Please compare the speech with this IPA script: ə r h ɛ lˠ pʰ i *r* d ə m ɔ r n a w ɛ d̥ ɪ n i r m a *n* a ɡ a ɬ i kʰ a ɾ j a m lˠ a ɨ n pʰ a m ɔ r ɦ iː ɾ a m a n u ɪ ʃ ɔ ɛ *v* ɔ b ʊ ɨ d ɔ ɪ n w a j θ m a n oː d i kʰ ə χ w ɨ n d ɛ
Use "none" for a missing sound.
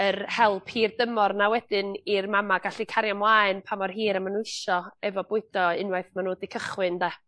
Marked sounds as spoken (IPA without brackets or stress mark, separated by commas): r, m, v